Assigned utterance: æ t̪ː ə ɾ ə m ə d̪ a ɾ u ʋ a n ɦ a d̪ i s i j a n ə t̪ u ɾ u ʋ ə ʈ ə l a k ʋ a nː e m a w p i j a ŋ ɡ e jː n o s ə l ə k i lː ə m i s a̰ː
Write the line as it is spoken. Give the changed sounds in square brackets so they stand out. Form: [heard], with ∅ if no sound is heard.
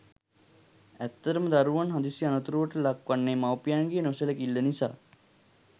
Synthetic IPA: æ t̪ː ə ɾ ə m ə d̪ a ɾ u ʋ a n ɦ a d̪ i s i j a n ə t̪ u ɾ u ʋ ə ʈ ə l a k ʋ a nː e m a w p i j a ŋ ɡ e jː n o s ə l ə k i lː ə [n] i s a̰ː